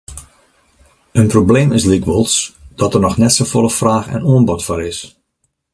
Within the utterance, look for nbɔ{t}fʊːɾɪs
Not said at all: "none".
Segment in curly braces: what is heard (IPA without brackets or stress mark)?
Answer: t